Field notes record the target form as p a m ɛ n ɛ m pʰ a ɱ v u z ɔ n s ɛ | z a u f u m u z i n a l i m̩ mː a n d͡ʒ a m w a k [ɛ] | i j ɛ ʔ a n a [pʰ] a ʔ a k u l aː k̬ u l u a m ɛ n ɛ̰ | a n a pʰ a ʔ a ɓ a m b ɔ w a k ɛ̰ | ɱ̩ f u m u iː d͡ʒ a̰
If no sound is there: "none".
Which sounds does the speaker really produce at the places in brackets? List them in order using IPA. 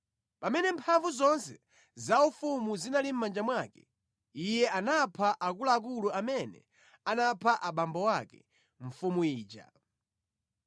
ɛ, pʰ

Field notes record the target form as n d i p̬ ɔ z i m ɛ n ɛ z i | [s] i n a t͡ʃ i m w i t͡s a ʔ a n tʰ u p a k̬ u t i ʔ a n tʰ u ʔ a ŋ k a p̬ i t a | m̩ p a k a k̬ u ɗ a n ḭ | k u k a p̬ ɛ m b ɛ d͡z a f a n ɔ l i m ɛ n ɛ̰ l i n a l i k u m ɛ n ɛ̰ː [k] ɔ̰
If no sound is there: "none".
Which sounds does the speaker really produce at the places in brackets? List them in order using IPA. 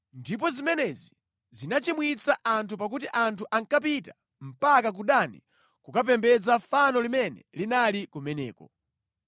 z, k

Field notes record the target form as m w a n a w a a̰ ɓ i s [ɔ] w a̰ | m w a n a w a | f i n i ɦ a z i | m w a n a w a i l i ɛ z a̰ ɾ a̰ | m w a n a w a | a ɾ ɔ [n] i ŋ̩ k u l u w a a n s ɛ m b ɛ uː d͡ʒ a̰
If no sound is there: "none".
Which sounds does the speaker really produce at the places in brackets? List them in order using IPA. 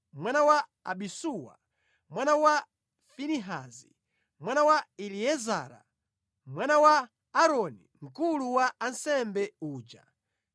u, n

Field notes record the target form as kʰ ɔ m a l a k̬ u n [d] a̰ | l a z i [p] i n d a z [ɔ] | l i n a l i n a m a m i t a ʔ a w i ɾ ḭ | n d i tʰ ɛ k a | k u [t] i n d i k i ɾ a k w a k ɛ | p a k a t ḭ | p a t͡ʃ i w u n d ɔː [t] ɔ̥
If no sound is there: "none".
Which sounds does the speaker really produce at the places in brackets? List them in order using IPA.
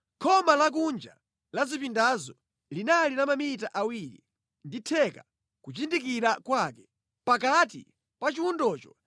d͡ʒ, p, ɔ, t͡ʃ, t͡ʃ

